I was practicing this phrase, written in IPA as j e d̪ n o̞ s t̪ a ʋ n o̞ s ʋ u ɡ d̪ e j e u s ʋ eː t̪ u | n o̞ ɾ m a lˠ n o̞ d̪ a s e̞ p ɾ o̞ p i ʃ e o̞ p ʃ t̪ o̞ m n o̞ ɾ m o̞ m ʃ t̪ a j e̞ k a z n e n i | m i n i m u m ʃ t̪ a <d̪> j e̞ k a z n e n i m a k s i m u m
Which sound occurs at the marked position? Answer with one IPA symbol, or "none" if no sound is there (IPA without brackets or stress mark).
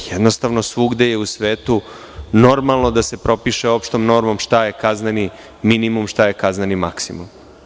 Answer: none